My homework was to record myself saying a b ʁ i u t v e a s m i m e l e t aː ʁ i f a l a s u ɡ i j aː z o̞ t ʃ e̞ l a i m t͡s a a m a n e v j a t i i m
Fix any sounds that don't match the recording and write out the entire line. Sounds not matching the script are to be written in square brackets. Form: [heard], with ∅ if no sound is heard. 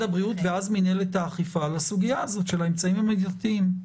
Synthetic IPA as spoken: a b ʁ i u t v e a [z] m i [n] e l e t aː [χ] i f a l a s u ɡ i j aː z o̞ t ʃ e̞ l a [e] m t͡s a [i] m a [m] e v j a t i i m

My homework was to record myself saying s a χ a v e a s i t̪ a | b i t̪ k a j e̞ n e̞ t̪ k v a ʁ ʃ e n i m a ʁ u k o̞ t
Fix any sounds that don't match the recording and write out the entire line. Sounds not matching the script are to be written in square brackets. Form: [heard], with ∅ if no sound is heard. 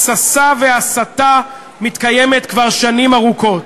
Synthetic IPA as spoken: s a [s] a v e a s [a] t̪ a | [m] i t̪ k a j e̞ [m] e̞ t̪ k v a ʁ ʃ [a] n i m a ʁ u k o̞ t

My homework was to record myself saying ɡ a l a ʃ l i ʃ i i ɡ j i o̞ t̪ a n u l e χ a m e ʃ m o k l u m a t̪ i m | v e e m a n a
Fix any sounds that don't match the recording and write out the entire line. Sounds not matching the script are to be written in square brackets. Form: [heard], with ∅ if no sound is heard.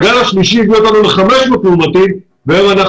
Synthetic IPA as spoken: ɡ a l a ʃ l i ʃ i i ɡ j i o̞ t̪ a n u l e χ a m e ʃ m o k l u m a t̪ i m | v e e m a n a

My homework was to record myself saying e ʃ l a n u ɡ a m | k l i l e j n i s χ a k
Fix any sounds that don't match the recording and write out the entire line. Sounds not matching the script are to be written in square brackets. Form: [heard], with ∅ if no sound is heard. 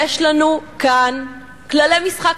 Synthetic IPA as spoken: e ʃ l a n u [k] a [n] | k l [a] l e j [m] i s χ a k

